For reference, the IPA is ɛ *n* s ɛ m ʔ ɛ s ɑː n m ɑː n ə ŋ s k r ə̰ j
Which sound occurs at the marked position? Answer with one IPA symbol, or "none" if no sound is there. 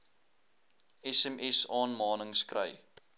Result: none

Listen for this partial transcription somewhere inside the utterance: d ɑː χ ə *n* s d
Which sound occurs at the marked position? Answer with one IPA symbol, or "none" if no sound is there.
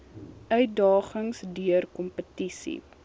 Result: ŋ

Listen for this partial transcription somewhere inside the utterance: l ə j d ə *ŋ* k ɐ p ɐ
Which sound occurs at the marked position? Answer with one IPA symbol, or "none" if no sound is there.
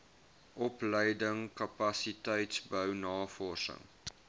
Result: ŋ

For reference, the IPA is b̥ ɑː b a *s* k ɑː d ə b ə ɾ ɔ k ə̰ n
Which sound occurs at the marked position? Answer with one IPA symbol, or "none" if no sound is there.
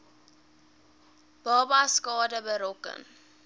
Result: s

